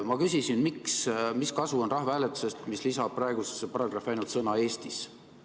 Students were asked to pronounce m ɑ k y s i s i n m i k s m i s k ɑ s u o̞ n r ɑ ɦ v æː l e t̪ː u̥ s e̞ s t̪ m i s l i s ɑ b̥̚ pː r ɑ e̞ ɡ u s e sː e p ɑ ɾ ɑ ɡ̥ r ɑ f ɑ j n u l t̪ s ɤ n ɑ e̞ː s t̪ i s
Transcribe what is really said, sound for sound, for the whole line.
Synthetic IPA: m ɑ k y s i s i n m i k s m i s k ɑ s u o̞ n r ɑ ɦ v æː l e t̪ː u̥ s e̞ s t̪ m i s l i s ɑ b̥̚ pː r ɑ e̞ ɡ u s e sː e p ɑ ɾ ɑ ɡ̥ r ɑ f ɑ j n u l t̪ s ɤ n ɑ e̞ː s t̪ i s